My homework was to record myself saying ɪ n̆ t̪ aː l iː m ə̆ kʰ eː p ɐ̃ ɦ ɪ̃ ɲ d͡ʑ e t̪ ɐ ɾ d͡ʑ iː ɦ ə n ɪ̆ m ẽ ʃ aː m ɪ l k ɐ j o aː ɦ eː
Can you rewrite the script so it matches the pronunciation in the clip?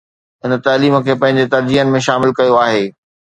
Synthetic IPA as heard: ɪ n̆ t̪ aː l iː m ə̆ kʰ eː p ɐ̃ ɦ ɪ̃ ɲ d͡ʑ e t̪ ɐ ɾ d͡ʑ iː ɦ ə n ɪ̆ m ẽ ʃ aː m ɪ l k ɐ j o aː ɦ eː

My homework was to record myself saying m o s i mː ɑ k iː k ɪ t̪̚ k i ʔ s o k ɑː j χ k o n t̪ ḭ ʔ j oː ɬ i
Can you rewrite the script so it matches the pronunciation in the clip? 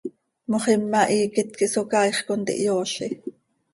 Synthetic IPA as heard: m o χ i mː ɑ ʔ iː k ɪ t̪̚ k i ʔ s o k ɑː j χ k o n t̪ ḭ ʔ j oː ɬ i

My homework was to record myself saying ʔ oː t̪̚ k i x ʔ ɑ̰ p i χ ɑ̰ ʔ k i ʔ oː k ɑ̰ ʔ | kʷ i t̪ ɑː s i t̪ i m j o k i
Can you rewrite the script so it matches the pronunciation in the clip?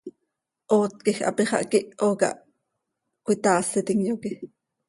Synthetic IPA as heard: ʔ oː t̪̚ k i x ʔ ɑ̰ p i χ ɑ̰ ʔ k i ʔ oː k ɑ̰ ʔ | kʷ i t̪ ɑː s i t̪ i ŋ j o k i

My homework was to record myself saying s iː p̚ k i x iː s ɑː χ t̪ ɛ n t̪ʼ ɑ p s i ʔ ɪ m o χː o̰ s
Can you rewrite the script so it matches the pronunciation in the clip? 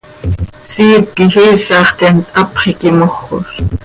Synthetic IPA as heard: s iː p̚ k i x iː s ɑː χ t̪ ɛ n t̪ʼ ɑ p χ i k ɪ m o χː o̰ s

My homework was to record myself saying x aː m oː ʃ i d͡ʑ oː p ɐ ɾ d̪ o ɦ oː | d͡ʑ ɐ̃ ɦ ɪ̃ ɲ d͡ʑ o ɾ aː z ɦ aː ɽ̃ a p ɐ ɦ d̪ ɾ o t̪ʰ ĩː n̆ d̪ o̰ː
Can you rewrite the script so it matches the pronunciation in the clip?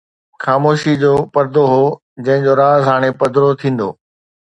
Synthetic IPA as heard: x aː m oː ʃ i d͡ʑ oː p ɐ ɾ d̪ o ɦ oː | d͡ʑ ɐ̃ ɦ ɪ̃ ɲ d͡ʑ o ɾ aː z ɦ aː ɽ̃ e p ɐ d̪ ɾ o t̪ʰ ĩː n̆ d̪ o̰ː

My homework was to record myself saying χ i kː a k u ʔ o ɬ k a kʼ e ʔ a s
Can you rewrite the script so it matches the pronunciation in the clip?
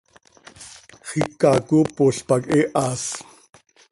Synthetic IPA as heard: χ i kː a k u p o ɬ p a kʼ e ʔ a s

